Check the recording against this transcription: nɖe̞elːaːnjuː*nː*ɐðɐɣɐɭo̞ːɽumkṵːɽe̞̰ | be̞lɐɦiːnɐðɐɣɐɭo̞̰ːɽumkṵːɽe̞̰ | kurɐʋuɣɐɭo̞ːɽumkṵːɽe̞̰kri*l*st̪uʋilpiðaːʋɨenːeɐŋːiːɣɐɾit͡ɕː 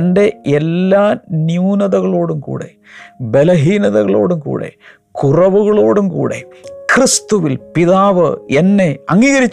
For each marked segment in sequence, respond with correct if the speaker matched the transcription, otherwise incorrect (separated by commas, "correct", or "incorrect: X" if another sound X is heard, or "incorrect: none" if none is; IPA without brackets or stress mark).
incorrect: n, incorrect: none